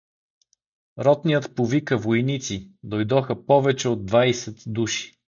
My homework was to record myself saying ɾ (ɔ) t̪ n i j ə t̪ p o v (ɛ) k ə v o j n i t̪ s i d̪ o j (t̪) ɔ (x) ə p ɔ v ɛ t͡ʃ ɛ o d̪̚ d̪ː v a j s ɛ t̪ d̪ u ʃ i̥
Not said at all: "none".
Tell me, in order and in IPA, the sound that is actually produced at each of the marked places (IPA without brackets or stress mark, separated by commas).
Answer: ɔ, i, d̪, x